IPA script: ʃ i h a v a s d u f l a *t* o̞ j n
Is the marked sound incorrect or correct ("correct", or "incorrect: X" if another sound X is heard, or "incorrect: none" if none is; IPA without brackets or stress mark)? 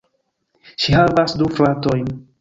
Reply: correct